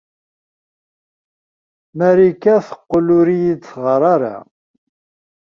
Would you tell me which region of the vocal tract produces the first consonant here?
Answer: lips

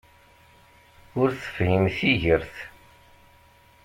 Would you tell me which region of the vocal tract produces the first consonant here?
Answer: tongue tip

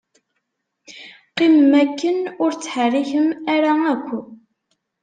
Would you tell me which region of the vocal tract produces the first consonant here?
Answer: uvula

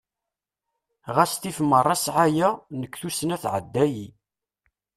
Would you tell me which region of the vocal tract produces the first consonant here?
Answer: uvula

